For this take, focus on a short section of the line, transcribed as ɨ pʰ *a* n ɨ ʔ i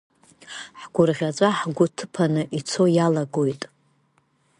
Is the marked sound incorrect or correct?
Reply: correct